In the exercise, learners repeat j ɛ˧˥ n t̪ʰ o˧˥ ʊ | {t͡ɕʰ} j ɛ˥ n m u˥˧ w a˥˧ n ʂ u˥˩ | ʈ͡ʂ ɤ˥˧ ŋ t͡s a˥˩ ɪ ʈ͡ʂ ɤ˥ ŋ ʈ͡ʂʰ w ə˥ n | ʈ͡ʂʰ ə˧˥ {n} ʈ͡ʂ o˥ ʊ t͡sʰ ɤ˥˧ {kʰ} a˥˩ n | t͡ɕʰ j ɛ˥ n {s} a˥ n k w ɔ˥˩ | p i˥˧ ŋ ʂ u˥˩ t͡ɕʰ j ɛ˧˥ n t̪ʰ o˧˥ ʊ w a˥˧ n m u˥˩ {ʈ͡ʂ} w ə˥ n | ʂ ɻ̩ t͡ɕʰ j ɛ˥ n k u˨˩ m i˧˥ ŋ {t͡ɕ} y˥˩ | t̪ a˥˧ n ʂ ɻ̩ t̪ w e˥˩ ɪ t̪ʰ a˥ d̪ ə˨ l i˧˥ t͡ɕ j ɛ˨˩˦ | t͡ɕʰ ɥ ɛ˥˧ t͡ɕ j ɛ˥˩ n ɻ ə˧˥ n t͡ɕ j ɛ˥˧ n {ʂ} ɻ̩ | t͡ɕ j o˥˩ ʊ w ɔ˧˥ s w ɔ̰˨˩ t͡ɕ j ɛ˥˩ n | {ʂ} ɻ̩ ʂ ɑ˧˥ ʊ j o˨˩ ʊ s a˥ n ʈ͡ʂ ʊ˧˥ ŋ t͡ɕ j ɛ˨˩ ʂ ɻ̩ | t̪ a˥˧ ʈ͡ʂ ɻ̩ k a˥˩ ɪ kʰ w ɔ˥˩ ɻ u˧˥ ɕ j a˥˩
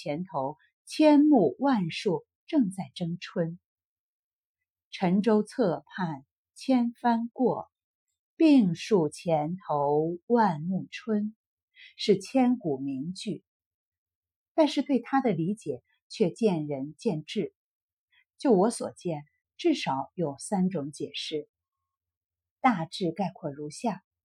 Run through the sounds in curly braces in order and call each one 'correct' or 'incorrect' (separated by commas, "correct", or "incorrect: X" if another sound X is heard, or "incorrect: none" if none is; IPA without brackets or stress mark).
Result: correct, incorrect: ŋ, incorrect: pʰ, incorrect: f, incorrect: ʈ͡ʂʰ, correct, incorrect: ʈ͡ʂ, incorrect: ʈ͡ʂ